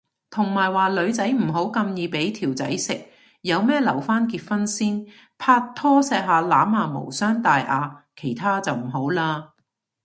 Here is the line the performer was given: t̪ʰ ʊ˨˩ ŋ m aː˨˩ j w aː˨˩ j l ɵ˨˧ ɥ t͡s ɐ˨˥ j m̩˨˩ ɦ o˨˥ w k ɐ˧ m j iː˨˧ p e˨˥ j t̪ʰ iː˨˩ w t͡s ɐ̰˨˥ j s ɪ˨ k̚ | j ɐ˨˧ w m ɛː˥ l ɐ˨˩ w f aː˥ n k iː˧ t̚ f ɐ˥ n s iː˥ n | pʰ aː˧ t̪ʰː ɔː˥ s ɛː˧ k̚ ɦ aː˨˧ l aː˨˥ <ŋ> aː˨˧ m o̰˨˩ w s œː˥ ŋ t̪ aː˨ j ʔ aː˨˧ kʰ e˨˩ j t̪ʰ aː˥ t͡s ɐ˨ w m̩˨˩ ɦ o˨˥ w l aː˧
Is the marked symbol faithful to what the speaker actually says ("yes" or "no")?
no